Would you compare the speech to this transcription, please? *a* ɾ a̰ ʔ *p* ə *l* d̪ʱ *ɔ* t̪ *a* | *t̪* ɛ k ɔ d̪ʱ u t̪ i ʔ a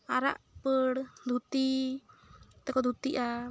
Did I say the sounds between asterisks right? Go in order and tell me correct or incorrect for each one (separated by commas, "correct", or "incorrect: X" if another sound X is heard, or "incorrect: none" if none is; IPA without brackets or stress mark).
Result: correct, correct, incorrect: ɽ, incorrect: u, incorrect: i, correct